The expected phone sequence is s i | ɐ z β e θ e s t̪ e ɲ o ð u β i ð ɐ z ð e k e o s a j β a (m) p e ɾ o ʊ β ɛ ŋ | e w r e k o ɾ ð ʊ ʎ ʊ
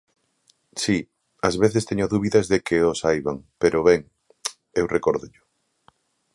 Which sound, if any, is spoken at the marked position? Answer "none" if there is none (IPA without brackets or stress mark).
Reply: ŋ